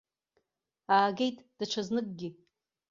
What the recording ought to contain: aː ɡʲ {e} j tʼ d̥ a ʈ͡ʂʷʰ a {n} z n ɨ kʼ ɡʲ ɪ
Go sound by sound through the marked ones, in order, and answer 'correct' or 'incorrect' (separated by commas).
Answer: correct, incorrect